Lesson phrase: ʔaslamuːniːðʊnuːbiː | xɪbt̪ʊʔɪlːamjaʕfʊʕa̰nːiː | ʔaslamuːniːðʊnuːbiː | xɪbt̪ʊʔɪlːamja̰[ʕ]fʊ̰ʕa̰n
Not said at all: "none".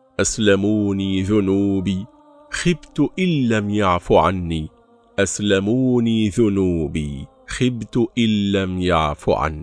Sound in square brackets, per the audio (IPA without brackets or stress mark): ʕ